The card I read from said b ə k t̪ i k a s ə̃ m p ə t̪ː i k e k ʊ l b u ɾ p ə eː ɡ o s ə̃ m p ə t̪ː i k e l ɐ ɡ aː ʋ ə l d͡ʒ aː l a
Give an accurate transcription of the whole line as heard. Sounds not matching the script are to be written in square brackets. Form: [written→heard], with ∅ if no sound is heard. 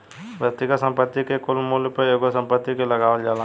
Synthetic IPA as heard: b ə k t̪ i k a s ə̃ m p ə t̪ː i k e k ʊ l [b→m] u [ɾ→l] p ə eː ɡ o s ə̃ m p ə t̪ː i k e l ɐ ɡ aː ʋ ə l d͡ʒ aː l a

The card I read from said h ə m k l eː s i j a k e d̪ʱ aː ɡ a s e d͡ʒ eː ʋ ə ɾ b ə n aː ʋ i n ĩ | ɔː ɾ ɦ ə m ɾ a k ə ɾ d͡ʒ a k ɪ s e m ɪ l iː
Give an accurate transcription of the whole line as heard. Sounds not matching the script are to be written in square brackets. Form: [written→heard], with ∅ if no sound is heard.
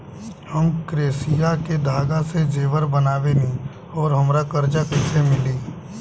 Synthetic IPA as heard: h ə m k [l→ɾ] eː s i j a k e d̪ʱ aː ɡ a s e d͡ʒ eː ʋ ə ɾ b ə n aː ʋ [i→e] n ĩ | ɔː ɾ ɦ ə m ɾ a k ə ɾ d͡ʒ a k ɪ s e m ɪ l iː

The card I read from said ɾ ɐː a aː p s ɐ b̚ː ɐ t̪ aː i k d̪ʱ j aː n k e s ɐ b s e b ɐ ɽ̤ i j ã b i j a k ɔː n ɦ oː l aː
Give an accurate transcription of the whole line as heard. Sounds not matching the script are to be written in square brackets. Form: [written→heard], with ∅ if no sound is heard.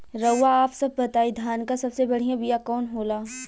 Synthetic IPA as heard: ɾ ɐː a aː p s ɐ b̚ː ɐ t̪ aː i [k→∅] d̪ʱ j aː n k [e→a] s ɐ b s e b ɐ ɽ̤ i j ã b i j a k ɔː n ɦ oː l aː

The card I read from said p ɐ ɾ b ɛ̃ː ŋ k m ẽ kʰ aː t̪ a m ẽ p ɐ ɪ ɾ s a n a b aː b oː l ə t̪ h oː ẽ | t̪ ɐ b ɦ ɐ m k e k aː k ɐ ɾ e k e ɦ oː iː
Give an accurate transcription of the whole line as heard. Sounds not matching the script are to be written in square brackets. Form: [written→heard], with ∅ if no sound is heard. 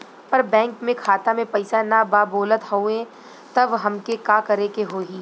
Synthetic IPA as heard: p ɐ ɾ b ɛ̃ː ŋ k m ẽ kʰ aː t̪ a m ẽ p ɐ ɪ [ɾ→∅] s a n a b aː b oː l ə t̪ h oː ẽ | t̪ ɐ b ɦ ɐ m k e k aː k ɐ ɾ e k e ɦ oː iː

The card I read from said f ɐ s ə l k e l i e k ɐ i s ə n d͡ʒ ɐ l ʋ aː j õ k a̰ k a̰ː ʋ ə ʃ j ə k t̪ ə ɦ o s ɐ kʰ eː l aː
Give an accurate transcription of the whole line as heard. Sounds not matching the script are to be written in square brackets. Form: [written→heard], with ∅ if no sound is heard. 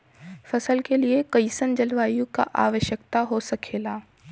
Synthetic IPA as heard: f ɐ s ə l k e l i e k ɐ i s ə n d͡ʒ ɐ l ʋ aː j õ k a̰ [k→ʔ] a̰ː ʋ ə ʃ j ə k t̪ [ə→a] ɦ o s ɐ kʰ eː l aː

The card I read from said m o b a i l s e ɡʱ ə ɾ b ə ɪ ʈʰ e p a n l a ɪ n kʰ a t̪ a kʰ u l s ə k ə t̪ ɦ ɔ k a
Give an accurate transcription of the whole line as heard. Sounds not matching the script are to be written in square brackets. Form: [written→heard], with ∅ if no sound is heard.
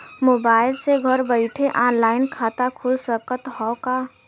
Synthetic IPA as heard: m o b a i l s e ɡʱ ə ɾ b ə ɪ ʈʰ e [p→ʔ] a n l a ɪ n kʰ a t̪ a kʰ u l s ə k ə t̪ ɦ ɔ k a

